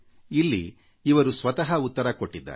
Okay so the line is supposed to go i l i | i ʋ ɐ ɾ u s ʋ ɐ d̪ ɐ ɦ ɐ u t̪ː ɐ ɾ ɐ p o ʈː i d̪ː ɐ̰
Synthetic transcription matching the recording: i lː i | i ʋ ɐ ɾ u s ʋ ɐ t̪ ɐ ɦ ɐ u t̪ː ɐ ɾ ɐ k o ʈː i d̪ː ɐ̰